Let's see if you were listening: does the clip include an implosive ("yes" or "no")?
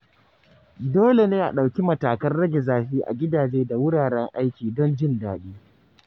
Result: yes